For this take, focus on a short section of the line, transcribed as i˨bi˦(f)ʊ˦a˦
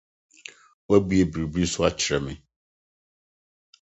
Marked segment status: incorrect: s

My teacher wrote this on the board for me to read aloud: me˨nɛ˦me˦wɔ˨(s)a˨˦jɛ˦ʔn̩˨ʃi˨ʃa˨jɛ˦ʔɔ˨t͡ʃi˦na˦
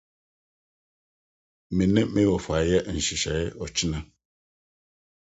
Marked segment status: incorrect: f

